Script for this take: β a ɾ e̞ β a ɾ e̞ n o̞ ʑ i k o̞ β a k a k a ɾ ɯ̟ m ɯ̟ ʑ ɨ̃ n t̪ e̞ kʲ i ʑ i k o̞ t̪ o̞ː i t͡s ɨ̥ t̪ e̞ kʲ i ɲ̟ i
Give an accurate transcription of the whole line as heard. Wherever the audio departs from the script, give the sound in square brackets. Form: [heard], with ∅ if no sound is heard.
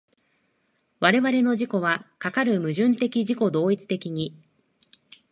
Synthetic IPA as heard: β a ɾ e̞ β a ɾ e̞ n o̞ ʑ i k o̞ β a k a k a ɾ ɯ̟ m ɯ̟ ʑ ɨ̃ n t̪ e̞ kʲ i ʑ i k o̞ [d̪] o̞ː i t͡s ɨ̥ t̪ e̞ kʲ i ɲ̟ i

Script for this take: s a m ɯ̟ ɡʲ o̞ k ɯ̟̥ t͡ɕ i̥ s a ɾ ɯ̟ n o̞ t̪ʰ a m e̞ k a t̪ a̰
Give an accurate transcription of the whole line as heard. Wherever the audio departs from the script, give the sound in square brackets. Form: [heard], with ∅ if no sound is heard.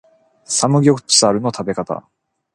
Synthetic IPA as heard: s a m ɯ̟ ɡʲ o̞ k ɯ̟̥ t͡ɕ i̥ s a ɾ ɯ̟ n o̞ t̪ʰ a [b] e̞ k a t̪ a̰

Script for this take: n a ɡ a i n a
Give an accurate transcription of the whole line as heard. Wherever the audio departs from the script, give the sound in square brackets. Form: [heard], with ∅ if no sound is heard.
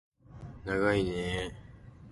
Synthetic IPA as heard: n a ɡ a i n [e]

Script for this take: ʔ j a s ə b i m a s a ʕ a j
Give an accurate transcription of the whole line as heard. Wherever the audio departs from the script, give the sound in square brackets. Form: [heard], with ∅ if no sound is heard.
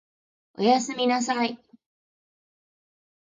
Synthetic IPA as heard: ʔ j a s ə [m] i [n] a s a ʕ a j

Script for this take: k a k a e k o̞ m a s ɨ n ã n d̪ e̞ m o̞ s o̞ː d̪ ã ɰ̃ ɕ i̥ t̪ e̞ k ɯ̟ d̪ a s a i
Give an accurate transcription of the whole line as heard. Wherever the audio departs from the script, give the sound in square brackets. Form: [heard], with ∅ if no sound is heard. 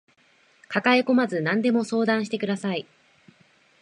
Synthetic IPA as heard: k a k a e k o̞ m a [z] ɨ n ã n d̪ e̞ m o̞ s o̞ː d̪ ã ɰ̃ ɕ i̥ t̪ e̞ k ɯ̟ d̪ a s a i

